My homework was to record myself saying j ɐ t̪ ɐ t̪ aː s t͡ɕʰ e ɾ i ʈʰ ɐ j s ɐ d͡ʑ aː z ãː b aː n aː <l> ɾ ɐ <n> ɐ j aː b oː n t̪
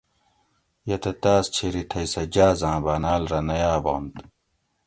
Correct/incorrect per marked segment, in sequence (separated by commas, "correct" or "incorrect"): correct, correct